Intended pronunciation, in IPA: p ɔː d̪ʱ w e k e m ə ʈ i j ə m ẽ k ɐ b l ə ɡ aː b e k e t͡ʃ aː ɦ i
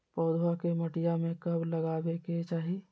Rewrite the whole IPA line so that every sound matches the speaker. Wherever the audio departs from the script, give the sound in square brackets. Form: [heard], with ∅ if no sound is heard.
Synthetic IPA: p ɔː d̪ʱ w [a] k e m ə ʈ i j [a] m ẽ k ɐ b l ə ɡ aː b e k e t͡ʃ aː ɦ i